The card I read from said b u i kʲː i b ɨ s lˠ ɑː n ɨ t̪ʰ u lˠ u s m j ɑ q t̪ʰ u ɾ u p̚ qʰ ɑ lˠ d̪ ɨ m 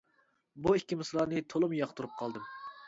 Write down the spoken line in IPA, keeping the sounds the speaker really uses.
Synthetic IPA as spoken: b u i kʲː i m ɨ s lˠ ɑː n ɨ t̪ʰ o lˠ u m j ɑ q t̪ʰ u ɾ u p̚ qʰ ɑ lˠ d̪ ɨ m

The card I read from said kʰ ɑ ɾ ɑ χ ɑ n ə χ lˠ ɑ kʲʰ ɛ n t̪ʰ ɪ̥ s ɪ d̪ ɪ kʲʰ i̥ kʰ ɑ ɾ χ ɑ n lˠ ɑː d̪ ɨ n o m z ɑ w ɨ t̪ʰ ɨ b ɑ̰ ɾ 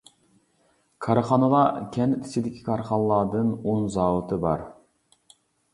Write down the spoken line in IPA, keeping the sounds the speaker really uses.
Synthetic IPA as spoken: kʰ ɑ ɾ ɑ χ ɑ n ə lˠ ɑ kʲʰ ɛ n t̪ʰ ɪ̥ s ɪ d̪ ɪ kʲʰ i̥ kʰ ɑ ɾ χ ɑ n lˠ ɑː d̪ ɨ n o n z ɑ w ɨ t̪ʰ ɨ b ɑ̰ ɾ

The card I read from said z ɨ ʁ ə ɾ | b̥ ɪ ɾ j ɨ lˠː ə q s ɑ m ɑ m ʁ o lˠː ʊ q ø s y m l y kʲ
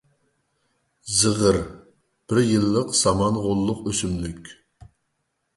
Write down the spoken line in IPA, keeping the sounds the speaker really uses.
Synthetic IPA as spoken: z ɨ ʁ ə ɾ | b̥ ɪ ɾ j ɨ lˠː ə q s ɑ m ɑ n ʁ o lˠː ʊ q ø s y m l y kʲ

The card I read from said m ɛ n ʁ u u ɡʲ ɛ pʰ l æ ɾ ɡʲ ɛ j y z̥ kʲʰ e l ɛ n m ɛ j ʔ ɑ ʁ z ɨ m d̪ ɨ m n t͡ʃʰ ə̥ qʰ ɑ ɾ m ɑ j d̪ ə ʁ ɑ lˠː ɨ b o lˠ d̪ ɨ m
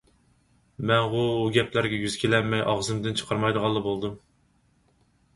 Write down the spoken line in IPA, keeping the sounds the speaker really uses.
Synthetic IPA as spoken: m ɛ n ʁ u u ɡʲ ɛ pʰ l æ ɾ ɡʲ ɛ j y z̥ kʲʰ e l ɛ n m ɛ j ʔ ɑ ʁ z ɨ m d̪ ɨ n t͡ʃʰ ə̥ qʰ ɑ ɾ m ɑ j d̪ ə ʁ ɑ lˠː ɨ b o lˠ d̪ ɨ m

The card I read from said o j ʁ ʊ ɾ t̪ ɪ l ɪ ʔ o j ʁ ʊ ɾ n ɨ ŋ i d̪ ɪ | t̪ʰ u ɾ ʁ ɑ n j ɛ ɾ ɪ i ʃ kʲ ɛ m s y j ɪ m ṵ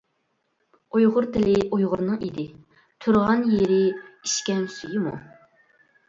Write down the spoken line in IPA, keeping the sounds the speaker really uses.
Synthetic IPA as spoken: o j ʁ ʊ ɾ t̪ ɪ l ɪ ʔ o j ʁ ʊ ɾ n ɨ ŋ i d̪ ɪ | t̪ʰ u ɾ ʁ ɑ n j e ɾ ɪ i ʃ kʲ ɛ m s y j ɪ m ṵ

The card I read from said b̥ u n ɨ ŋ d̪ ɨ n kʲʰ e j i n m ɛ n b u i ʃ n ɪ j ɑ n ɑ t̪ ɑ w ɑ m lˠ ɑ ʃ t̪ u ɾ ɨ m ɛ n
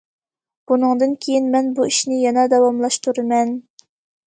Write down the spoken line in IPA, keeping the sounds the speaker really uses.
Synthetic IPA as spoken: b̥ u n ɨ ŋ d̪ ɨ n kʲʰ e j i n m ɛ n b u i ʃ n ɪ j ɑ n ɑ d̪ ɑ w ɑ m lˠ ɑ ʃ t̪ u ɾ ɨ m ɛ n

